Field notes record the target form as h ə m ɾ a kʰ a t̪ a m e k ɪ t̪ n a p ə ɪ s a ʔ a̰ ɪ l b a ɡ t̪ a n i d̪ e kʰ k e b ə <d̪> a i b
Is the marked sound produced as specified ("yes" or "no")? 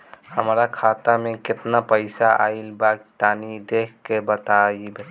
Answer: no